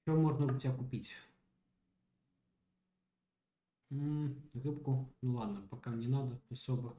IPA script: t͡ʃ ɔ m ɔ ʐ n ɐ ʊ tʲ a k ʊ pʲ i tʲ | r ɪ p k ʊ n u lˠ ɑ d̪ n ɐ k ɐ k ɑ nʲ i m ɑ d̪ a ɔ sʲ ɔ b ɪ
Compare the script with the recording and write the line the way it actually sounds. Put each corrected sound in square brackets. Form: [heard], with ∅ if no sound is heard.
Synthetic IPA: t͡ʃ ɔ m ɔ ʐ n ɐ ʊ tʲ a k ʊ pʲ i tʲ | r ɪ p k ʊ n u lˠ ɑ d̪ n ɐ [p] ɐ k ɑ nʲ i [n] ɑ d̪ [ɐ] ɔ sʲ ɔ b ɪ